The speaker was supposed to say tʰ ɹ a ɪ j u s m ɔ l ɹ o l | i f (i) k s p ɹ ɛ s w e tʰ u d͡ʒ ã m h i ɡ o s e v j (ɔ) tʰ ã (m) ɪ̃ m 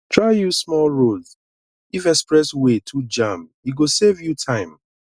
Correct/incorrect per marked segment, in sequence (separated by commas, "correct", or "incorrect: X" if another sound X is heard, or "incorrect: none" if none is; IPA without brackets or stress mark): incorrect: ɛ, incorrect: u, incorrect: none